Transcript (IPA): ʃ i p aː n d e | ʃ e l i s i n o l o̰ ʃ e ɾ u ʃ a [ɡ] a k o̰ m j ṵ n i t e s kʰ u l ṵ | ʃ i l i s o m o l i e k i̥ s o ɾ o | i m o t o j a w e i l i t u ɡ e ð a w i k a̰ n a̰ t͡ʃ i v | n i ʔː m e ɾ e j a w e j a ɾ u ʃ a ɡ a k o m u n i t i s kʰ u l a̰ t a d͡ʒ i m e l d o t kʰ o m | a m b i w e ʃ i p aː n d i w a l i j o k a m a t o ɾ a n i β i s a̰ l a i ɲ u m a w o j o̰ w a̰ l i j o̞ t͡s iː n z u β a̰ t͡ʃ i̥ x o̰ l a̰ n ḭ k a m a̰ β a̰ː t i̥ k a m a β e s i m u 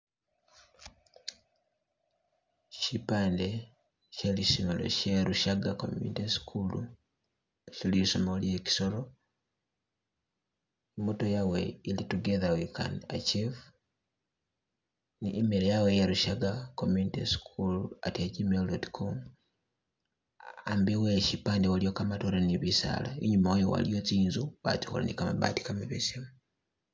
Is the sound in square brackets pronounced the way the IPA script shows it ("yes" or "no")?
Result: yes